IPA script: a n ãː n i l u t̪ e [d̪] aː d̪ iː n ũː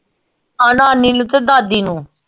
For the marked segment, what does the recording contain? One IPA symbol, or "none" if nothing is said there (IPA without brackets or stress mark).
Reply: d̪